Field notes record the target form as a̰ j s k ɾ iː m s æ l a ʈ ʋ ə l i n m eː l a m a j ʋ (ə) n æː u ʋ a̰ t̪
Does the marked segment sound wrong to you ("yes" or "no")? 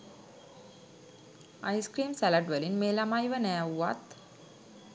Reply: no